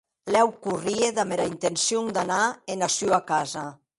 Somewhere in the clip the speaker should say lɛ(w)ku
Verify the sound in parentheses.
correct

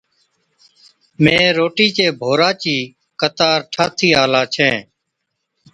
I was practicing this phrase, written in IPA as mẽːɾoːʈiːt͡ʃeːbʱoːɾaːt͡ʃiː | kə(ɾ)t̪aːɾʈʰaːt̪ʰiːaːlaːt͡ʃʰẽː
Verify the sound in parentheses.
incorrect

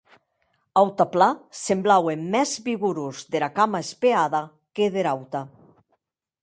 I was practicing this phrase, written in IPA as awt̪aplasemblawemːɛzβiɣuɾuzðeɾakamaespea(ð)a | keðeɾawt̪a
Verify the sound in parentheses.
correct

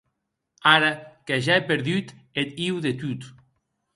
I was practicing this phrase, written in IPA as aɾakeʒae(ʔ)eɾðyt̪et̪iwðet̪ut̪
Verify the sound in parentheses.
incorrect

